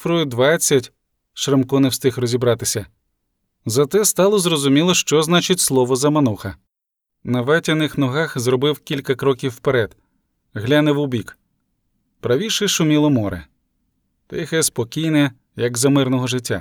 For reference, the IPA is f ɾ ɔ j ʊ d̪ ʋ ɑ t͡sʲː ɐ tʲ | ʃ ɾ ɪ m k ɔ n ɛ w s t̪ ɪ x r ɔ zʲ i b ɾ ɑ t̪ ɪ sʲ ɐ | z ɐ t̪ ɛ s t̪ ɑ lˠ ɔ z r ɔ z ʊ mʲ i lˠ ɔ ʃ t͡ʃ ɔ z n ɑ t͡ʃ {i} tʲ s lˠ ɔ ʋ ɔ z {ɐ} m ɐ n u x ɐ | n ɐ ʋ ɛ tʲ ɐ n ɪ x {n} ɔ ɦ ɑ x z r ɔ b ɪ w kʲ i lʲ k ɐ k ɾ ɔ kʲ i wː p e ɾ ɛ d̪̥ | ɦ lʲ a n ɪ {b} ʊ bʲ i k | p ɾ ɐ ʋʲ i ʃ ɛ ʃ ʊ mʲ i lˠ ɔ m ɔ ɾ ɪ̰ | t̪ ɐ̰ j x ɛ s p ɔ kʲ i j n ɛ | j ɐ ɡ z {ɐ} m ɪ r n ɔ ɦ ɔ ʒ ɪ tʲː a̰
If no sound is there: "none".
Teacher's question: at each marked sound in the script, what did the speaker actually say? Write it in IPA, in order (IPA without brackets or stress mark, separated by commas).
ɪ, ɐ, n, w, ɐ